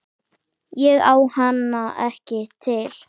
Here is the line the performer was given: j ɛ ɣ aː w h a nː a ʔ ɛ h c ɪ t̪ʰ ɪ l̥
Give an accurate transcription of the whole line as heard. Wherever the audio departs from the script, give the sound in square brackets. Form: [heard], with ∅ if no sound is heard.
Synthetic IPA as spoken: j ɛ ɣ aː w h a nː a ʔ ɛ h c ɪ t̪ʰ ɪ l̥